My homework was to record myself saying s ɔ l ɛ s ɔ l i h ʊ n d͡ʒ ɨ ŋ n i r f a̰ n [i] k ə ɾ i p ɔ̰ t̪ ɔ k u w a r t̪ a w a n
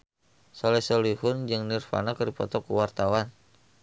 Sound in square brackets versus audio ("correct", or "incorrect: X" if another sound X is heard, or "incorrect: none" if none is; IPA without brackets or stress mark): incorrect: a